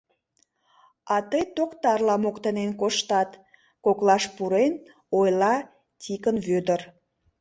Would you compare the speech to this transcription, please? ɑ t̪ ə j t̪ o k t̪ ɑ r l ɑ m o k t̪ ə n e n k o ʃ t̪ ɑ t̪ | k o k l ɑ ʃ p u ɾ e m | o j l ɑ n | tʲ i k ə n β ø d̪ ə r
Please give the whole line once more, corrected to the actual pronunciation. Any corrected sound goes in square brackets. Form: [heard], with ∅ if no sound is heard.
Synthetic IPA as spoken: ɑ t̪ ə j t̪ o k t̪ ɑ r l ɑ m o k t̪ ə n e n k o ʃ t̪ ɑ t̪ | k o k l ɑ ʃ p u ɾ e [n] | o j l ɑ [∅] | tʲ i k ə n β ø d̪ ə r